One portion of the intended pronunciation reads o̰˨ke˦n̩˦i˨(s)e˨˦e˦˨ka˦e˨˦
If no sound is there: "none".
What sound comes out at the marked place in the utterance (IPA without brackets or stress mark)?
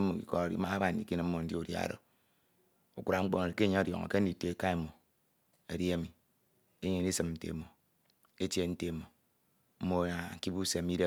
t